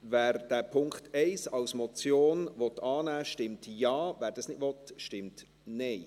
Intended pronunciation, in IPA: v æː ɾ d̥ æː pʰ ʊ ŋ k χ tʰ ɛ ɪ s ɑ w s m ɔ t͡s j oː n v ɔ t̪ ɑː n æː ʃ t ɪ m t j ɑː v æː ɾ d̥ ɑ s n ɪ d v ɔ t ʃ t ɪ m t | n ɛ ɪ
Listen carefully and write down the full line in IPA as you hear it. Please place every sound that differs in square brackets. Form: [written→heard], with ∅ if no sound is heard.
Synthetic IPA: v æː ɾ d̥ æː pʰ ʊ ŋ k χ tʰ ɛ ɪ s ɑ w s m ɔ t͡s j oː n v ɔ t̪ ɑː n æː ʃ t ɪ m t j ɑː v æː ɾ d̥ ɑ s n ɪ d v ɔ t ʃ t ɪ m t | n ɛ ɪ